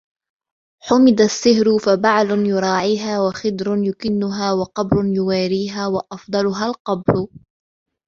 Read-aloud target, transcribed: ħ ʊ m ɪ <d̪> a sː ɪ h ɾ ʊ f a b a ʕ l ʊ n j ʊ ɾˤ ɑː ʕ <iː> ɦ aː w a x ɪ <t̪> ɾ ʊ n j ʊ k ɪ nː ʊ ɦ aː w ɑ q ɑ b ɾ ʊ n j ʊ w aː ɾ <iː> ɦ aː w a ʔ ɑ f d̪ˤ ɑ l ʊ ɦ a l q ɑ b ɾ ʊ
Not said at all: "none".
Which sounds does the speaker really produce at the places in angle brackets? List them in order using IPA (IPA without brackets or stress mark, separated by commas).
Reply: d̪, iː, d̪, iː